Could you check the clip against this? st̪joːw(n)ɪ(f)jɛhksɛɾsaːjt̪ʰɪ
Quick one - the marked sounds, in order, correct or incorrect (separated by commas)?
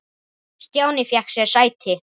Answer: correct, correct